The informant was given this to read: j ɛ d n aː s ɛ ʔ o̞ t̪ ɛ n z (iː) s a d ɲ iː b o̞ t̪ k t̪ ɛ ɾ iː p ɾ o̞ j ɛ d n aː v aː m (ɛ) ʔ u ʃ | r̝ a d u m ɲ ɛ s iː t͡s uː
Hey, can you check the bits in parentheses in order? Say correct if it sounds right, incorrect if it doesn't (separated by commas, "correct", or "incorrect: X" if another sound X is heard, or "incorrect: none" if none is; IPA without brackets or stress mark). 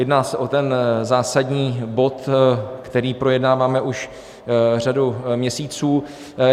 incorrect: aː, correct